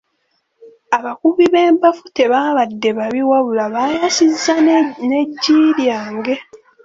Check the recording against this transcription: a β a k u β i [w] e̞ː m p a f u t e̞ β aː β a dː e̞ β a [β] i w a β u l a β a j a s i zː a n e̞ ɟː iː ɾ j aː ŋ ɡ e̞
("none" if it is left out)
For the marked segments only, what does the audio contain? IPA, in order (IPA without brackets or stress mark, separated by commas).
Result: β, β